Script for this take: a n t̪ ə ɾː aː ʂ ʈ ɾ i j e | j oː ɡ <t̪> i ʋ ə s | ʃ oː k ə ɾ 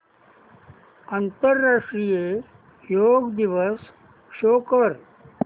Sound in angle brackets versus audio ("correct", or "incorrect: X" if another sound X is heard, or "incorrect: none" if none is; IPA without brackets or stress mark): incorrect: d̪